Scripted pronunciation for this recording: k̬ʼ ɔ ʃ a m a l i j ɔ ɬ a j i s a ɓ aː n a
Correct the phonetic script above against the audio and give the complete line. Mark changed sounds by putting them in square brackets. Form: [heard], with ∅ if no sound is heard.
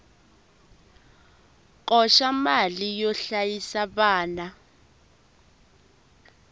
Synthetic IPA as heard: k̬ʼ ɔ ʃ a m a l i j ɔ ɬ a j i s a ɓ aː n a